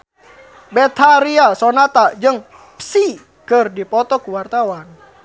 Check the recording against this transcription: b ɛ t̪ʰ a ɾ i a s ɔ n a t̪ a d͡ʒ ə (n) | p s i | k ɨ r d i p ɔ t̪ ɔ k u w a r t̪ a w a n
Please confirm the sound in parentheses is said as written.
no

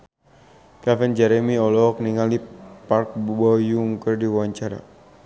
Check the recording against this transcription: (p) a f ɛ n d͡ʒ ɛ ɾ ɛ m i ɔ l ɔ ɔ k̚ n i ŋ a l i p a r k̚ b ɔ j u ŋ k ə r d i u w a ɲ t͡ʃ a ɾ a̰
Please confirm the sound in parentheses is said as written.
no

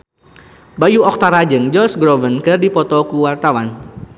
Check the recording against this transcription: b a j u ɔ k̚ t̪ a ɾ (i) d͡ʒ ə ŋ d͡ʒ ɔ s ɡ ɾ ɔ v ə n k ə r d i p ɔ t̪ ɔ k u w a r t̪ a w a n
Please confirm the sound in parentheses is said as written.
no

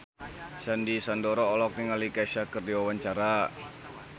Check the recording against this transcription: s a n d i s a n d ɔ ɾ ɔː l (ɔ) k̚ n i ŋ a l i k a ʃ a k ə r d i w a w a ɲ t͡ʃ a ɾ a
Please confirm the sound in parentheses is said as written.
yes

